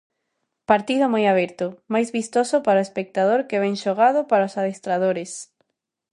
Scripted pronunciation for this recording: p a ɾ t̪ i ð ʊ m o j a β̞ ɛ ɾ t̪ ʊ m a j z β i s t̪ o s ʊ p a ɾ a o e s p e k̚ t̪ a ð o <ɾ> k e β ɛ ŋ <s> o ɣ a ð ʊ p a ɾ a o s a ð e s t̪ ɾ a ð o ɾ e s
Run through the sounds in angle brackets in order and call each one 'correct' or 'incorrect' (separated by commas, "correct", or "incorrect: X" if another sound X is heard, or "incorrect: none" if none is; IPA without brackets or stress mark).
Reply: correct, incorrect: ʃ